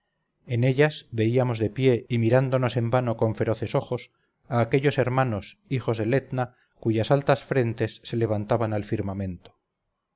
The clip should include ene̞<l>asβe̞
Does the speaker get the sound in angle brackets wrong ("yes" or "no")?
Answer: yes